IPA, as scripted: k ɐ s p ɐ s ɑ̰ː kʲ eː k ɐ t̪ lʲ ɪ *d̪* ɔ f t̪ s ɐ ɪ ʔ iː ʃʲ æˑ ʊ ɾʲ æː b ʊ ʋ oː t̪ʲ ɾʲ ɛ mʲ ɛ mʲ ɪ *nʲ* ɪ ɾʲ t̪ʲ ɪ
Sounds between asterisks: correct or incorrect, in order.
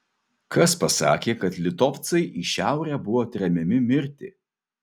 incorrect: t̪, incorrect: mʲ

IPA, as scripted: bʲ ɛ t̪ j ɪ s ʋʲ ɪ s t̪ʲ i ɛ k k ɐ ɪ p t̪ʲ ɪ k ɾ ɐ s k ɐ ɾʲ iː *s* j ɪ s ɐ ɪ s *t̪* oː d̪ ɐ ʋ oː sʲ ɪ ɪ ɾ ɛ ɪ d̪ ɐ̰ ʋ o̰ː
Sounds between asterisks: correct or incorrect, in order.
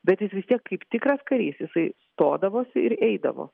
correct, correct

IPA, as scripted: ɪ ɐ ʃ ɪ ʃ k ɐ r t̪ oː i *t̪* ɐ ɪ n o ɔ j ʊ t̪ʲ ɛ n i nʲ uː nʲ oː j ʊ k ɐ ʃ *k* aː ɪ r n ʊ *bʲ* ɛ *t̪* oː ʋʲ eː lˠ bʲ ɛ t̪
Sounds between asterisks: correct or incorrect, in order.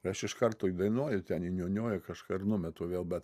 incorrect: d̪, correct, incorrect: mʲ, correct

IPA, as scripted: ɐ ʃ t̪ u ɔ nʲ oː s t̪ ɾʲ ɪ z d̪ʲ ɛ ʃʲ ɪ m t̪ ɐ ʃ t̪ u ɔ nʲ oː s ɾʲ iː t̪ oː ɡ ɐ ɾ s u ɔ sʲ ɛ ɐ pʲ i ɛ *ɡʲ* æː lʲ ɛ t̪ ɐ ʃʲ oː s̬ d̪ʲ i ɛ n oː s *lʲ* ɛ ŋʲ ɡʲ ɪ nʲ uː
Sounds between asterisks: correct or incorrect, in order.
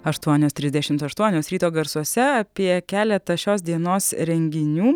incorrect: kʲ, incorrect: ɾʲ

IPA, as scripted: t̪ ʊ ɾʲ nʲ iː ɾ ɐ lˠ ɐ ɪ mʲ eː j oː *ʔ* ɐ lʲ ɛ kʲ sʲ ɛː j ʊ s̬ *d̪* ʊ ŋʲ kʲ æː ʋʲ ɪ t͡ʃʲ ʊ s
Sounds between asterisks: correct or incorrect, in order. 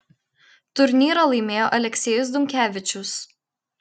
correct, correct

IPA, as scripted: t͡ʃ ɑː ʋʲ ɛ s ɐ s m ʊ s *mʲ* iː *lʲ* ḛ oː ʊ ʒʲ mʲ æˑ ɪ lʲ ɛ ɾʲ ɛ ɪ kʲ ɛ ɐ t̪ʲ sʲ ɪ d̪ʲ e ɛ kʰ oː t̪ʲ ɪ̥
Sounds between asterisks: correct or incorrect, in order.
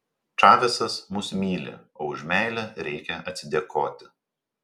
correct, correct

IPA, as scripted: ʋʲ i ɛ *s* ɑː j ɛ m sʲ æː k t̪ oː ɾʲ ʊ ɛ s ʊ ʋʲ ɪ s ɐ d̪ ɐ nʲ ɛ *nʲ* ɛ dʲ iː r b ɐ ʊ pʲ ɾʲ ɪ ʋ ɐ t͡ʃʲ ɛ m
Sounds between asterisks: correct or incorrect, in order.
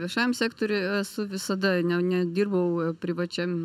incorrect: ʃ, correct

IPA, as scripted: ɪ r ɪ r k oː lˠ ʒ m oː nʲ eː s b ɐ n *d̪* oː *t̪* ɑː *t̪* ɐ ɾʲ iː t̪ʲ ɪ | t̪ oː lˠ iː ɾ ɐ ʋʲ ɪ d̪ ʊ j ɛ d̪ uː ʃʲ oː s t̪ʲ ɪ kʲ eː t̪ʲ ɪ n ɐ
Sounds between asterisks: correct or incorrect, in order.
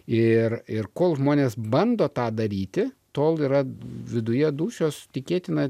correct, correct, incorrect: d̪

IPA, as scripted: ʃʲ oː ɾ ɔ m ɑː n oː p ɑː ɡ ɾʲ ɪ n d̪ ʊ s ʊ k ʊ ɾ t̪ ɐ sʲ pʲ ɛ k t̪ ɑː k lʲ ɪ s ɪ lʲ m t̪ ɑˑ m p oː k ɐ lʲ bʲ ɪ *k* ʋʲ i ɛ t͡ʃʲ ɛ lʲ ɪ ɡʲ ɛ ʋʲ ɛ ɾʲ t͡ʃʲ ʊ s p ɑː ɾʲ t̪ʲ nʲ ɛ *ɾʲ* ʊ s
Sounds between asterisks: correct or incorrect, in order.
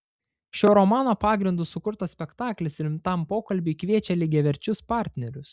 correct, correct

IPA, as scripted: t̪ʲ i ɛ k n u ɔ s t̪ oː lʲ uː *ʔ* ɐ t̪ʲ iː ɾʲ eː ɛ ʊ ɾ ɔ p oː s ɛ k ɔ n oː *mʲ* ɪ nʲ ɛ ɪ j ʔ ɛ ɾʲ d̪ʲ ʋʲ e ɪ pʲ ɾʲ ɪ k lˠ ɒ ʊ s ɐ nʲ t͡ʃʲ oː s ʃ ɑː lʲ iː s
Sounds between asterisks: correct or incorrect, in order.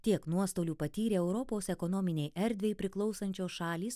incorrect: p, correct

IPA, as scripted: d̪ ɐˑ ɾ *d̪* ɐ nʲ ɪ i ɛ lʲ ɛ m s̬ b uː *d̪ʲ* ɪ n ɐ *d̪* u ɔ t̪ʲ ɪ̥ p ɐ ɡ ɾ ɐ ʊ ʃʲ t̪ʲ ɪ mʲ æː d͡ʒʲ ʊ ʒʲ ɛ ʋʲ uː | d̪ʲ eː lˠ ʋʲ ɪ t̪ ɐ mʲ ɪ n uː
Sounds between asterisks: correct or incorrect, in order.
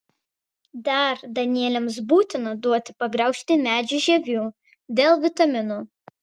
correct, incorrect: t̪ʲ, correct

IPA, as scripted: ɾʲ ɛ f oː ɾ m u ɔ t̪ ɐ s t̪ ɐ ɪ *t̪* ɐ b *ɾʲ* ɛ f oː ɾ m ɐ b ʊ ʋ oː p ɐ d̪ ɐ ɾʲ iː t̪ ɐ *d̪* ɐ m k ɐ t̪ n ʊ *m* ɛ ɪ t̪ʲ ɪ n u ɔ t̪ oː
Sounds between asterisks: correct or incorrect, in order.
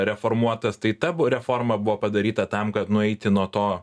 correct, correct, incorrect: t̪, incorrect: none

